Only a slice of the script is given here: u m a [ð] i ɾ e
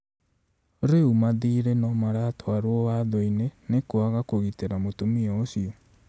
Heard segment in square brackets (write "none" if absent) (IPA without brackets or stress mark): ð